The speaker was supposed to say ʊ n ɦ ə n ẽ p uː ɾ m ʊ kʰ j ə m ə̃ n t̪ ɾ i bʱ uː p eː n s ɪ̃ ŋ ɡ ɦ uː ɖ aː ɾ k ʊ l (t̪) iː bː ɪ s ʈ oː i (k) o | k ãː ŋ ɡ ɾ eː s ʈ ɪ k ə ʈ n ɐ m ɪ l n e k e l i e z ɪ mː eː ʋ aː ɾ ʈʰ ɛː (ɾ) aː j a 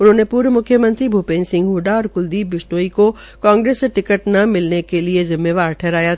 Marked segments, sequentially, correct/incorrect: incorrect, correct, correct

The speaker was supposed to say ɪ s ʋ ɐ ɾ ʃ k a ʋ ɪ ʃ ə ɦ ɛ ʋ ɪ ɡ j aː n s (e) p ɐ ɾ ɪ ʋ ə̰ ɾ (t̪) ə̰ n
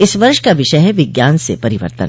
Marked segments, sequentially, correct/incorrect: correct, correct

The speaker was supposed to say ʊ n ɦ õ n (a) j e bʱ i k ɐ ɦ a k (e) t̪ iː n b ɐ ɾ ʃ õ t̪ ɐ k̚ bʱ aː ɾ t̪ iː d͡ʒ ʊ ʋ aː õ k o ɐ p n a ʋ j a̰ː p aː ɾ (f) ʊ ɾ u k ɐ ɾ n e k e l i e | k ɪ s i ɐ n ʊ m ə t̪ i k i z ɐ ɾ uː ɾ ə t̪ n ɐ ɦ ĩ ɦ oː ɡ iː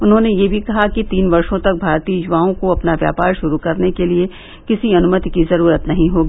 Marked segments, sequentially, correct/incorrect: incorrect, incorrect, incorrect

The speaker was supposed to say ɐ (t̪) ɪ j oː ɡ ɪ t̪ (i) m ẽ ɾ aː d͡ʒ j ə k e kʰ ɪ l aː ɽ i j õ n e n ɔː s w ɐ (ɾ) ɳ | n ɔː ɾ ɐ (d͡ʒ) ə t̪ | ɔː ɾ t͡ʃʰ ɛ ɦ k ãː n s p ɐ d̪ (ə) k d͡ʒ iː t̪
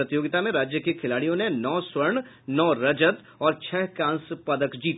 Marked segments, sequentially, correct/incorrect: correct, incorrect, correct, correct, correct

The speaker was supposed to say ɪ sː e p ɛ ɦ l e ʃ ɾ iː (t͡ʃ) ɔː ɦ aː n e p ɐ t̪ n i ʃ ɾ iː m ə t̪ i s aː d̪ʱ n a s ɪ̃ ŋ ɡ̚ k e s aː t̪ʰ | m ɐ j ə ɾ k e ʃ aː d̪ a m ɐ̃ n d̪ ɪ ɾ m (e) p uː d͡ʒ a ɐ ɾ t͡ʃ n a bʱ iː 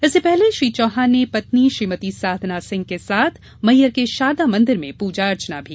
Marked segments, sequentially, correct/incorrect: correct, incorrect

